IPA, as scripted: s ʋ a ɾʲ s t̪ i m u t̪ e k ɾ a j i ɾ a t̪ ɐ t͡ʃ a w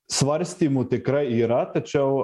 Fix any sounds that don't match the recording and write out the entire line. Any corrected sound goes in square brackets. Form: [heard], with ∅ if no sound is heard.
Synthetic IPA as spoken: s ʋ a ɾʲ s t̪ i m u t̪ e k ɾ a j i ɾ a t̪ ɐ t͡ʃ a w